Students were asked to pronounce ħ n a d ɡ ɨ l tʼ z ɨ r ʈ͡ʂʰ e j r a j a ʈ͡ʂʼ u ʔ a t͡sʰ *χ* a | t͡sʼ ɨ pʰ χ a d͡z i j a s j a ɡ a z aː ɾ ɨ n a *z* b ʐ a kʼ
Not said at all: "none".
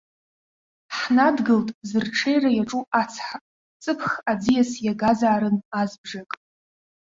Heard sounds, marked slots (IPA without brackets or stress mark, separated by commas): ħ, z